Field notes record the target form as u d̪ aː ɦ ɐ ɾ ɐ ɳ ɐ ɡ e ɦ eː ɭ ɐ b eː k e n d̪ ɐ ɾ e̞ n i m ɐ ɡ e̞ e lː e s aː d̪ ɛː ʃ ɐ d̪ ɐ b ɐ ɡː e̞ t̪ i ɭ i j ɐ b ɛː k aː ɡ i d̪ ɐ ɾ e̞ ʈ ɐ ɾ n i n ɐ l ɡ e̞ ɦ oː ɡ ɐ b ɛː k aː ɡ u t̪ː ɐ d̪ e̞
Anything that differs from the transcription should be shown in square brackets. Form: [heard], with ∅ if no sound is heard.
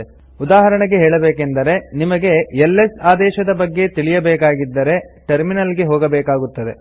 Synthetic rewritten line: u d̪ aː ɦ ɐ ɾ ɐ ɳ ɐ ɡ e ɦ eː ɭ ɐ b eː k e n d̪ ɐ ɾ e̞ n i m ɐ ɡ e̞ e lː e s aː d̪ ɛː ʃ ɐ d̪ ɐ b ɐ ɡː e̞ t̪ i ɭ i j ɐ b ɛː k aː ɡ i [d̪ː] ɐ ɾ e̞ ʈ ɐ ɾ [m] i n ɐ l ɡ e̞ ɦ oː ɡ ɐ b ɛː k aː ɡ u t̪ː ɐ d̪ e̞